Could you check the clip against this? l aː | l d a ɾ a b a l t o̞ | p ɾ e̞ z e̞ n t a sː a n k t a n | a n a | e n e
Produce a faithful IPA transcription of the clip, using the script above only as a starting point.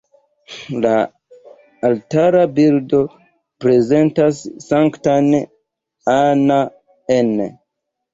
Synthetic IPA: l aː | l t a ɾ a b i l d o̞ | p ɾ e̞ z e̞ n t a sː a ŋ k t a n | a n a | e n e